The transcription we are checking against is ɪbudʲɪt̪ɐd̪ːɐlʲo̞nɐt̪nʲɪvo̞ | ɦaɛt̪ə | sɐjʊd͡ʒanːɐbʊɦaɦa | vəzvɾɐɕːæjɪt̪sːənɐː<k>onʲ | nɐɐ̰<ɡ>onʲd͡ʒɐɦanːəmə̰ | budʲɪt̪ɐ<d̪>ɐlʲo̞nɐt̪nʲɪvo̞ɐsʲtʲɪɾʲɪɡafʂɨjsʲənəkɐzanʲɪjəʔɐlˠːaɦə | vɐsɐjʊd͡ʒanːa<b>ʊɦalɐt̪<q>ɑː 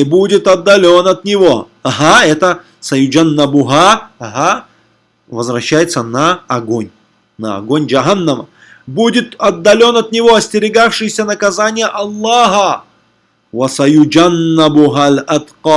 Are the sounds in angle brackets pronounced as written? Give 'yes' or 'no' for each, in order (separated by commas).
no, yes, no, yes, yes